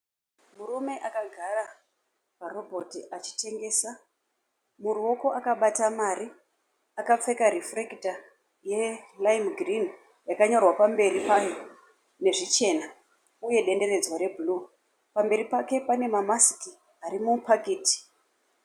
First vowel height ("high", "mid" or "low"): high